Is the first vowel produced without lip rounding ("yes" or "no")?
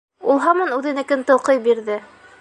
no